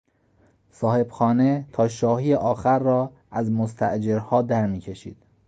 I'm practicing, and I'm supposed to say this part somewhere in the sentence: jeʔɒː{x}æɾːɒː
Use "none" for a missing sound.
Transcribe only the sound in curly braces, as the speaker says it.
x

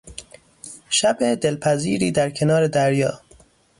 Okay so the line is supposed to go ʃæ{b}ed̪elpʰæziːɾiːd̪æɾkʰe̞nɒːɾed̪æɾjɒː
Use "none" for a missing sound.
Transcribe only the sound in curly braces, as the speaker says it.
b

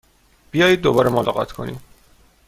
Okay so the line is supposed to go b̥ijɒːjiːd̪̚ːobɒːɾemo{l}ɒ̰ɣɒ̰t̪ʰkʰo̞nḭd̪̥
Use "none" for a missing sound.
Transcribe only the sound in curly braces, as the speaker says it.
l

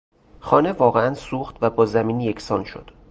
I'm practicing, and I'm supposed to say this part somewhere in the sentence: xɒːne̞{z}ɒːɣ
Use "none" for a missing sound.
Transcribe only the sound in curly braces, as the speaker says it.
v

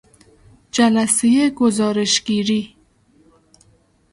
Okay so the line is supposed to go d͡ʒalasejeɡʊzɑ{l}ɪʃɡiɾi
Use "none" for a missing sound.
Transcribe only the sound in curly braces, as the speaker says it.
ɾ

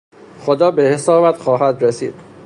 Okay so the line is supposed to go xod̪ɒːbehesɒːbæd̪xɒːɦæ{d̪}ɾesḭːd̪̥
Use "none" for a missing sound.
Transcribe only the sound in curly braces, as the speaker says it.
d̪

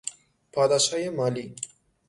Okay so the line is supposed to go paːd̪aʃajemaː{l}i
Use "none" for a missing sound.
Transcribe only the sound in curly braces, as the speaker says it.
l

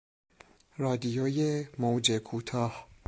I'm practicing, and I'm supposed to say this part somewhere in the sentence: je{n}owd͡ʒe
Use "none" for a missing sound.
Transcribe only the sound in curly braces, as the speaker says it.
m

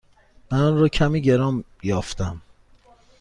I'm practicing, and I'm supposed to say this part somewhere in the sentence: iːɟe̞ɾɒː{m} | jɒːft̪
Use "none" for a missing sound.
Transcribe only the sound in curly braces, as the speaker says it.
m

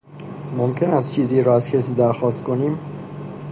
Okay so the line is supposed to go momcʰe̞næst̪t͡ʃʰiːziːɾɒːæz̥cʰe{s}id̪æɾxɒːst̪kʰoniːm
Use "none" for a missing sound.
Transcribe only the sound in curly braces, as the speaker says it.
s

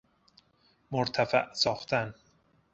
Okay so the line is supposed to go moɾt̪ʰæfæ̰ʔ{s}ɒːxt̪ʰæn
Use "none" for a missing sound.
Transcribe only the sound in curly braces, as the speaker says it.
s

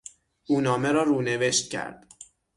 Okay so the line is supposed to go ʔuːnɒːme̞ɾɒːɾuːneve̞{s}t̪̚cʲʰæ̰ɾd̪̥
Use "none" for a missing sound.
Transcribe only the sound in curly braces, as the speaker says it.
ʃ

